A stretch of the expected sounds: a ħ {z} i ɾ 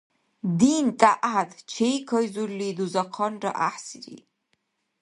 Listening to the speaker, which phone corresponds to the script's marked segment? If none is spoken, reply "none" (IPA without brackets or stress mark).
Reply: s